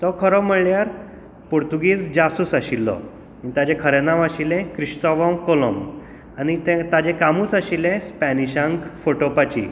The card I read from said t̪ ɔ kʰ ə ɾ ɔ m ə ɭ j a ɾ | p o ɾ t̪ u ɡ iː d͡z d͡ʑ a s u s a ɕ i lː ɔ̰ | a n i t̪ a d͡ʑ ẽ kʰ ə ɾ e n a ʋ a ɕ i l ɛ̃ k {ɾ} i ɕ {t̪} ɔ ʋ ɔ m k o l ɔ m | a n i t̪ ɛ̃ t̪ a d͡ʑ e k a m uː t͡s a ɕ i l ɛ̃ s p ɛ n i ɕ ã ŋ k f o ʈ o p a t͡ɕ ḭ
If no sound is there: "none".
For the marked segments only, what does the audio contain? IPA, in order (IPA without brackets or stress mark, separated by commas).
ɾ, t̪